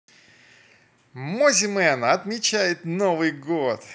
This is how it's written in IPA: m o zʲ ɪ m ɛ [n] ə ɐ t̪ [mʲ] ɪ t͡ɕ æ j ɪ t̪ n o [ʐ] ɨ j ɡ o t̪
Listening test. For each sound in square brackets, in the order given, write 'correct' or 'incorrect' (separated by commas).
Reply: correct, correct, incorrect